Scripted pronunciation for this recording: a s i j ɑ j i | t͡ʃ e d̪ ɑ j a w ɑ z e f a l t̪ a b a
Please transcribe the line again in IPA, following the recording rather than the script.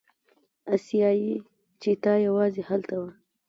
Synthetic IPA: a s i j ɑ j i | t͡ʃ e t̪ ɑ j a w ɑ z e h a l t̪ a w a